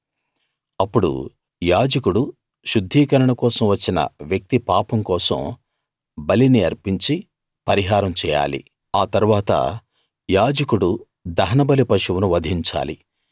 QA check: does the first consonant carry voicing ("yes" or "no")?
no